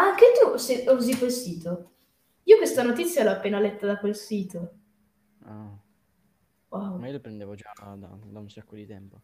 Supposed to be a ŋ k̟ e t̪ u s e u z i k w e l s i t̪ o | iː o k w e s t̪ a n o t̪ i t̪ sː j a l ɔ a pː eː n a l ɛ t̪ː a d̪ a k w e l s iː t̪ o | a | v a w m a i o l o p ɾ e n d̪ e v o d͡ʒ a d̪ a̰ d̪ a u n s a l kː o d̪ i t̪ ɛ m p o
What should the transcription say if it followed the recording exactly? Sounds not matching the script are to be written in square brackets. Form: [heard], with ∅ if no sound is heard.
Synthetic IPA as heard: a ŋ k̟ e t̪ u s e u z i k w e l s [iː] t̪ o | iː o k w e s t̪ a n o t̪ i t̪ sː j a l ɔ a pː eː n a l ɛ t̪ː a d̪ a k w e l s iː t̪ o | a | [w] a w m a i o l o p ɾ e n d̪ e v o d͡ʒ a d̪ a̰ d̪ a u n s a [∅] kː o d̪ i t̪ ɛ m p o